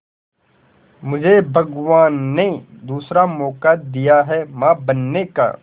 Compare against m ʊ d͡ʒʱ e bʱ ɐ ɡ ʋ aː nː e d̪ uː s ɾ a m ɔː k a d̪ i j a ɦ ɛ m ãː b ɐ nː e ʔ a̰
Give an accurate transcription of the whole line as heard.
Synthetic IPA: m ʊ d͡ʒʱ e bʱ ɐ ɡ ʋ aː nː e d̪ uː s ɾ a m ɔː k a d̪ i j a ɦ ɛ m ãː b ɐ nː e k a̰